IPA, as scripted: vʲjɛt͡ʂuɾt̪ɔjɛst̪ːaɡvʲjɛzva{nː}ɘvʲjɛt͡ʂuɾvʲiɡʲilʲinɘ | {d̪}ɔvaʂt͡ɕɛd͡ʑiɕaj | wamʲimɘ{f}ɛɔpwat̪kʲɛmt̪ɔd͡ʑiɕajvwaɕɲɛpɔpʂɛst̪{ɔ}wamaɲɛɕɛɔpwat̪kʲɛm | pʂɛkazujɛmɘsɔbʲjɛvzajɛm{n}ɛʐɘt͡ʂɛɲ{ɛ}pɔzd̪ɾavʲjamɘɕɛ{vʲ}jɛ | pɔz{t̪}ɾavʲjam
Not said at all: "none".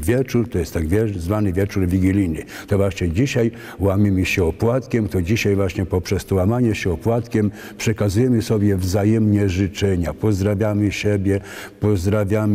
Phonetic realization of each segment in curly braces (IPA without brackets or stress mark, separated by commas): n, t̪, ɕ, ɔ, ɲ, a, bʲ, d̪